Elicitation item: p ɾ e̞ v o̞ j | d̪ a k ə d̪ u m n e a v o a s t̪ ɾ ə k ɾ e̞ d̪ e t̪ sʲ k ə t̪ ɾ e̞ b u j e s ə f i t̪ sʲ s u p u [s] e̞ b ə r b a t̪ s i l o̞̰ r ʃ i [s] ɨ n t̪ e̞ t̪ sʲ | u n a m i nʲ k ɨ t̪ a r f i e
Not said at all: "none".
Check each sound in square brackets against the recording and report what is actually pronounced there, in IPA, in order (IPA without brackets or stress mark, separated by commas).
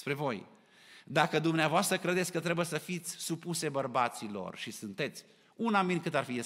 s, s